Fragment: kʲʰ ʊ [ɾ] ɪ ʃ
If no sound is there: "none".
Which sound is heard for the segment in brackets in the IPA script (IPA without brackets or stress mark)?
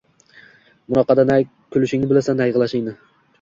l